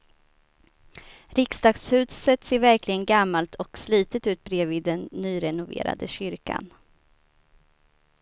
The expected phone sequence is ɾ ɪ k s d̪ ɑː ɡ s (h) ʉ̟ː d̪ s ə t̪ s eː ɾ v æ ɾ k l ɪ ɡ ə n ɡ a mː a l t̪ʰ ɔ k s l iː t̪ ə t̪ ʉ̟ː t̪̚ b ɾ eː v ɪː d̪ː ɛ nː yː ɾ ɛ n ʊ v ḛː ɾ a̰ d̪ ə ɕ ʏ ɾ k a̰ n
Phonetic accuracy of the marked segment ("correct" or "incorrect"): correct